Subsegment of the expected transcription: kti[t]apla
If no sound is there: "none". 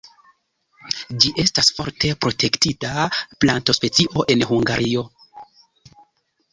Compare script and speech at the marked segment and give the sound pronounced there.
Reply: t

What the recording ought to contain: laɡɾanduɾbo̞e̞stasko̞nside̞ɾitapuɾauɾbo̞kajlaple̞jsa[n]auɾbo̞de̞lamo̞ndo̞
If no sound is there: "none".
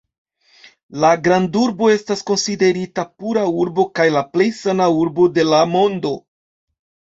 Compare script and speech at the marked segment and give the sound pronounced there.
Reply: n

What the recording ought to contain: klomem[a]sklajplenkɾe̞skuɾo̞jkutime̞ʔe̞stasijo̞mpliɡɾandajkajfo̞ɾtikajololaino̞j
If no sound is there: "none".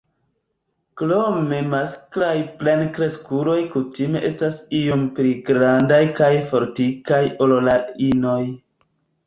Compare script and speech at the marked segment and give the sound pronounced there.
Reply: a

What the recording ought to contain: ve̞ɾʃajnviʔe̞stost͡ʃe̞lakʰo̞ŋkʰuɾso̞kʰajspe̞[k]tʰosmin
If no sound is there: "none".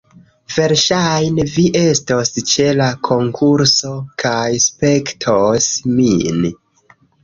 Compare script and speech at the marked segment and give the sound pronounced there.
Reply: k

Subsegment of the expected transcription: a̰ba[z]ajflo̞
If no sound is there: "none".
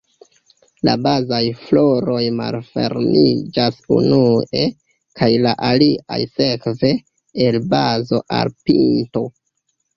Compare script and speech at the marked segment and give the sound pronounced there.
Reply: z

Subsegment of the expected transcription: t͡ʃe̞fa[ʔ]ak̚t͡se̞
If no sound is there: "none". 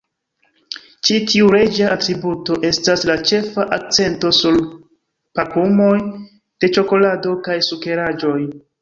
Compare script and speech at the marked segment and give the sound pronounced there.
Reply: ʔ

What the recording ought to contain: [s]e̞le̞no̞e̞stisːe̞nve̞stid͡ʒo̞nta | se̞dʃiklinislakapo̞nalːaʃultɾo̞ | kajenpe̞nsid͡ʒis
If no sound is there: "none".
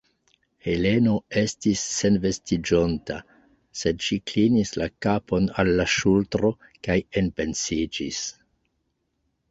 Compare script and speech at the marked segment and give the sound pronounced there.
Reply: h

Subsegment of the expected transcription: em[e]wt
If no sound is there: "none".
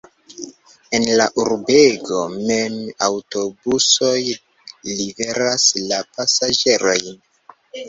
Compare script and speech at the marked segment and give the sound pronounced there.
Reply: a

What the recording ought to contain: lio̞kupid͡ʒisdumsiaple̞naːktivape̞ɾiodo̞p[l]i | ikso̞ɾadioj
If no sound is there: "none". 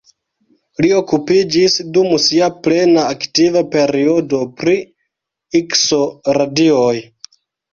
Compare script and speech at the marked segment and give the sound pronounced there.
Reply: ɾ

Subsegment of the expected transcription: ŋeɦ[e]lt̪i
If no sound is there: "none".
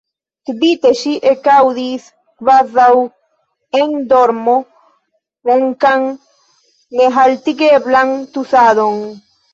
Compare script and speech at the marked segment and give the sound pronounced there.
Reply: a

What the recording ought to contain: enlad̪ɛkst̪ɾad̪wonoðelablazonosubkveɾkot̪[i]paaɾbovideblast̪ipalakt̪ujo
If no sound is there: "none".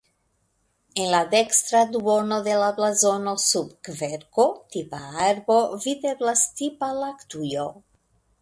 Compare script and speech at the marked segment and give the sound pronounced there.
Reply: i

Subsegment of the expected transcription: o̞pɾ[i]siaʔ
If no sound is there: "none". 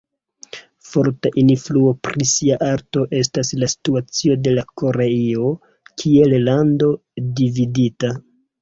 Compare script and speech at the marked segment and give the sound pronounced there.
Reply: i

